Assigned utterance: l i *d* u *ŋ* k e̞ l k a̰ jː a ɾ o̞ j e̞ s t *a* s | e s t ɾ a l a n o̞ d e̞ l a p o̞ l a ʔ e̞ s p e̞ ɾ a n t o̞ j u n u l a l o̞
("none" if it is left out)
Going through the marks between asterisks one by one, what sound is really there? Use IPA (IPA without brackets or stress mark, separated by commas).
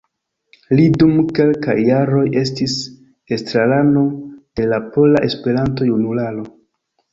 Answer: d, m, i